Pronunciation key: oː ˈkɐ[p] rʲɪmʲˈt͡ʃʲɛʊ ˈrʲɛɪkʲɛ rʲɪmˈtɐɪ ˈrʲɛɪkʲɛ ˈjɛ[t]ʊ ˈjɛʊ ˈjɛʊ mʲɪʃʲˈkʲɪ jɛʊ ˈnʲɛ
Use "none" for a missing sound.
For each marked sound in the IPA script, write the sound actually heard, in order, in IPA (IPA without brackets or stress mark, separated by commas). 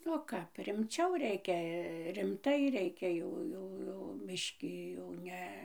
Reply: p, none